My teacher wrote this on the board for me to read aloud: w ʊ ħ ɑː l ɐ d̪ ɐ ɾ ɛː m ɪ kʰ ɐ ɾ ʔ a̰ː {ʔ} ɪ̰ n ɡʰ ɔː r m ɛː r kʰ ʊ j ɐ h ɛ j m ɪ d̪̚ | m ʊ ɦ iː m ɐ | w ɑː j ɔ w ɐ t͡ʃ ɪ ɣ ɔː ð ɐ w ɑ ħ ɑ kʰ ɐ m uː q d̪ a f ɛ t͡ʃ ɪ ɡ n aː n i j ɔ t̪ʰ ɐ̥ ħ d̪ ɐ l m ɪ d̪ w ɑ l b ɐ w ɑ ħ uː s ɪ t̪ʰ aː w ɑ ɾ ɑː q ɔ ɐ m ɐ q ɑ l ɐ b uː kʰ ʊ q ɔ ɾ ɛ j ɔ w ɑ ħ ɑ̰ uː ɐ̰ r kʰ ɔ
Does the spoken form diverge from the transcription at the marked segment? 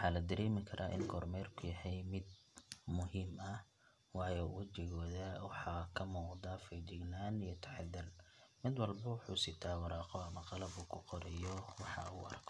no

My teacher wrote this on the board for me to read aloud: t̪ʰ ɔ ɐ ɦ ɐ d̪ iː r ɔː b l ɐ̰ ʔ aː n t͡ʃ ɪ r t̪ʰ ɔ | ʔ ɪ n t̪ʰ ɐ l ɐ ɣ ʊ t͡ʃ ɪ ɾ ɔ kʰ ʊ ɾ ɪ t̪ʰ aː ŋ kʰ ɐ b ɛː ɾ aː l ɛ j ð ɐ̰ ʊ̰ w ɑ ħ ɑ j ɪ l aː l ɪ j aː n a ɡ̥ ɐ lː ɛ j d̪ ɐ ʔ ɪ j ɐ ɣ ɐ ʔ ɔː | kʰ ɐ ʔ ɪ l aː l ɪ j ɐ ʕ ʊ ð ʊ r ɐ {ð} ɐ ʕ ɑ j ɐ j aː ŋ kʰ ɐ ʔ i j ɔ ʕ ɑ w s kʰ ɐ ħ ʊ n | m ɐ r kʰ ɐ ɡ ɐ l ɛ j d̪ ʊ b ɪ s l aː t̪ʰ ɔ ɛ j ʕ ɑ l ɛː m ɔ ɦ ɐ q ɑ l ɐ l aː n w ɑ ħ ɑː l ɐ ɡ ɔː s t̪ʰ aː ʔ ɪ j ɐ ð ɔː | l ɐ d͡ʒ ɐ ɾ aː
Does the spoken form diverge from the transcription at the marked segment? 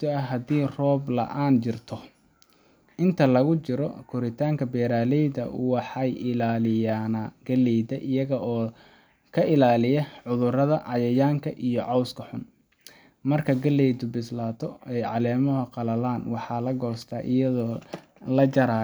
no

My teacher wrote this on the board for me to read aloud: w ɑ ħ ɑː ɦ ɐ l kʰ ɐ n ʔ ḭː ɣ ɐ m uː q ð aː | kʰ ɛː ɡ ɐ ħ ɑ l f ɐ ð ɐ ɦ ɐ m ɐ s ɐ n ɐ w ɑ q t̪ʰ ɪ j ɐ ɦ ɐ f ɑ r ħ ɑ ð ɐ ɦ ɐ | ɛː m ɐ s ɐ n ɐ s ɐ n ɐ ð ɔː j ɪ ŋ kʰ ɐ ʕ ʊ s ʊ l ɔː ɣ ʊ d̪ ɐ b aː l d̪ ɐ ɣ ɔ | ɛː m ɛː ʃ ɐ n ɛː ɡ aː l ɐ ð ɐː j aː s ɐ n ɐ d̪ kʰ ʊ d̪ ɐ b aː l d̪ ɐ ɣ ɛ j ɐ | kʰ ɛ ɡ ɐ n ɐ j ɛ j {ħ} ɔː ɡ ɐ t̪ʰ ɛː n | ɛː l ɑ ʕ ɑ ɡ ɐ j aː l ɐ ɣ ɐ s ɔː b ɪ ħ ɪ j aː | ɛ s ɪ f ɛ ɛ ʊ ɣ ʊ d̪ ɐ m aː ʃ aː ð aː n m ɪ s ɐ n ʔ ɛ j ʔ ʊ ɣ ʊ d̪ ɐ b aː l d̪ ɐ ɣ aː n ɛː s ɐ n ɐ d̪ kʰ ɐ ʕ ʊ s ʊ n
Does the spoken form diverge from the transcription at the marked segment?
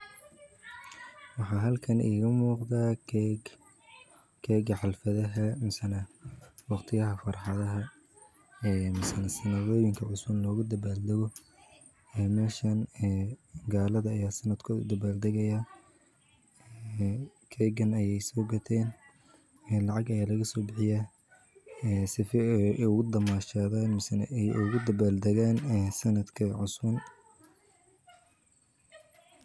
yes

